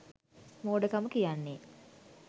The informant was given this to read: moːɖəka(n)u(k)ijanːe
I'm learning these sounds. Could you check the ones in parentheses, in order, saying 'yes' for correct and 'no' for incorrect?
no, yes

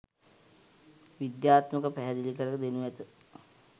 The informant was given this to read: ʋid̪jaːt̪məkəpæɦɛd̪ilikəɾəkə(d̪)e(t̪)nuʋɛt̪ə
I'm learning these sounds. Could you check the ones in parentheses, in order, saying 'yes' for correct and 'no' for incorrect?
yes, no

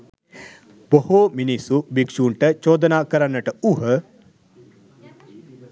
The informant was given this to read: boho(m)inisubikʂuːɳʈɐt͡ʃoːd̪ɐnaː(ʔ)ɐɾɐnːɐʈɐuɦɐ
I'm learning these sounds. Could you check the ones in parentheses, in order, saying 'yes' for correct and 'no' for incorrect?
yes, no

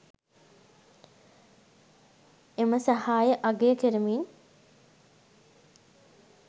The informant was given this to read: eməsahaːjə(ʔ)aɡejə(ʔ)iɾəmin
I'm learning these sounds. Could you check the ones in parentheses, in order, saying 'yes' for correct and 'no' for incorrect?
yes, no

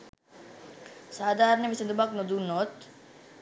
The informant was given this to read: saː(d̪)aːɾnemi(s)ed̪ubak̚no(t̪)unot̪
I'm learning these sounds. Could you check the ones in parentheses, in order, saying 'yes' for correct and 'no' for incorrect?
yes, yes, no

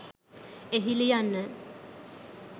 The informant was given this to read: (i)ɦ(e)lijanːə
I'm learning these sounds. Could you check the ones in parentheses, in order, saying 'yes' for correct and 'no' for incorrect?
no, no

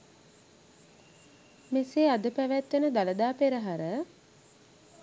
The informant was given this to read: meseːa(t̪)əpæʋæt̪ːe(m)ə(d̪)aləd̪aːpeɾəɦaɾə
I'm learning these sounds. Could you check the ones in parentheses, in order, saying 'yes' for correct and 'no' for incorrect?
no, no, yes

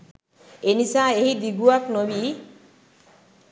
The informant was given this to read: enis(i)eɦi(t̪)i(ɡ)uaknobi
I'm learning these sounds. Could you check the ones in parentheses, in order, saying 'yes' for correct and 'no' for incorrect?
no, no, yes

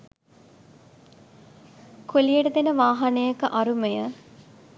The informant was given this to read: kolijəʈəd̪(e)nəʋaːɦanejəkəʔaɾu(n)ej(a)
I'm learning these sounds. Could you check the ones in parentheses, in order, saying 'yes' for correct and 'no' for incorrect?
yes, no, no

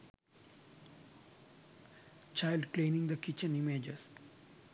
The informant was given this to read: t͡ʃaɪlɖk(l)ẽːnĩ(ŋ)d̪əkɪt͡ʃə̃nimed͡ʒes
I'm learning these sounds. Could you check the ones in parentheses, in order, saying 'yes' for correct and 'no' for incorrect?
yes, yes

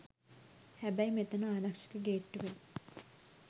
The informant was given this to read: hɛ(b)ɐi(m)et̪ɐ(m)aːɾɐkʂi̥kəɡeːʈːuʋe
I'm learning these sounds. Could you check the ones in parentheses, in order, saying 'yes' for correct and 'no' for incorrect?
yes, yes, no

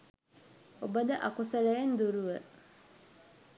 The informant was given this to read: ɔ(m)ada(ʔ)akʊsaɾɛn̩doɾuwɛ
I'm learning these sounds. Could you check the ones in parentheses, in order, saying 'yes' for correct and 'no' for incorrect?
no, yes

